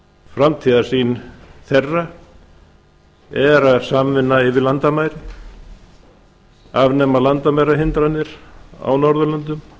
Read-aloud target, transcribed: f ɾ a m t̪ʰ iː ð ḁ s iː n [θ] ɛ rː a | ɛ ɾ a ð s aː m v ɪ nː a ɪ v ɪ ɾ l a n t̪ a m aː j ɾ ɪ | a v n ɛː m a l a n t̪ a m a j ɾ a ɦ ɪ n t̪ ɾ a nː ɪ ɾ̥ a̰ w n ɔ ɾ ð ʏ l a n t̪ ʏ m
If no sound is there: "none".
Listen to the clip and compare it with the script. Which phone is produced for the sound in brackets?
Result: θ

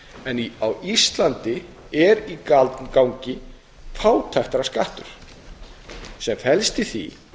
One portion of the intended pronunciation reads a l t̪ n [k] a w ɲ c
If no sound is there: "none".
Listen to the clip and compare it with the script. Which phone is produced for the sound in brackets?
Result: k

